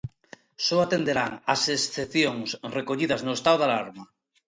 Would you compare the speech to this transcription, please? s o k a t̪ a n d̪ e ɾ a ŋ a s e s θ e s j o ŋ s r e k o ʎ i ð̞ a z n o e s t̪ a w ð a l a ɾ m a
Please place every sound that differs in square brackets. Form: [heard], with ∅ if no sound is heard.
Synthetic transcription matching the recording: s o [∅] a t̪ [e] n d̪ e ɾ a ŋ a s e s θ e [θ] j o ŋ s r e k o ʎ i ð̞ a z n o e s t̪ a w ð a l a ɾ m a